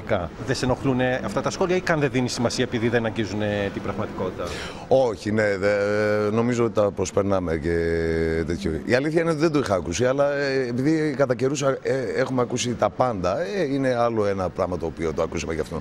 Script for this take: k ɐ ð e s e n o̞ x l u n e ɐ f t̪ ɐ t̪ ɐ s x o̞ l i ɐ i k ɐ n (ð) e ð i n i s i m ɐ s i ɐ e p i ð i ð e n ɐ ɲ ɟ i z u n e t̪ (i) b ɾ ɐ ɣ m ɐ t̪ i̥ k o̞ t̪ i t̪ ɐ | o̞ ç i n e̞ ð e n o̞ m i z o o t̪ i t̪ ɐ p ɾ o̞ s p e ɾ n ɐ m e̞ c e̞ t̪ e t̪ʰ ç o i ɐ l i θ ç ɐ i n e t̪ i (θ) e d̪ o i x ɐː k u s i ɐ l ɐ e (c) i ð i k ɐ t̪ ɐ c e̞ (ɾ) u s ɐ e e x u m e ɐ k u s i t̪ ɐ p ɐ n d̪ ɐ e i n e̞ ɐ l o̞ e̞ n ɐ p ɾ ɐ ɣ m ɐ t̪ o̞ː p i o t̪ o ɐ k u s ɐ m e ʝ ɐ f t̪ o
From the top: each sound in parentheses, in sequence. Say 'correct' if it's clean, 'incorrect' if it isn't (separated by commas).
correct, correct, incorrect, incorrect, correct